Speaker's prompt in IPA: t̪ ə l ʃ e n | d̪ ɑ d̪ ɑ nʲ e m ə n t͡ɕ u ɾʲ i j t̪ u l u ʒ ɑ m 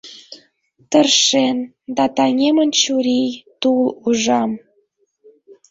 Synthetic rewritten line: t̪ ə r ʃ e n | d̪ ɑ t̪ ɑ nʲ e m ə n t͡ɕ u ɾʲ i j t̪ u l u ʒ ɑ m